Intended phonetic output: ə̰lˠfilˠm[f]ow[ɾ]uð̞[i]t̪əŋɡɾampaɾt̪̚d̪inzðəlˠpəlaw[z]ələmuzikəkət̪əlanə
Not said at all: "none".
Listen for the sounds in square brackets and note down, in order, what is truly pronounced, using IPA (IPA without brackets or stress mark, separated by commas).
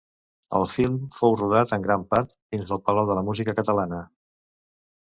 f, r, a, ð